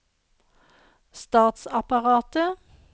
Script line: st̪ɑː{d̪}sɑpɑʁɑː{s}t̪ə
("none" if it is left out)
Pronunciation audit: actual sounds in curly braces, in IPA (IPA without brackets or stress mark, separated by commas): t̪, none